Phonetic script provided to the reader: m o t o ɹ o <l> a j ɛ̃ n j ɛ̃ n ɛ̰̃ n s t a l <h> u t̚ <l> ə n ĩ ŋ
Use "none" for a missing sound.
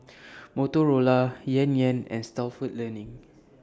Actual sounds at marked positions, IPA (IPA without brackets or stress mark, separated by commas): l, f, l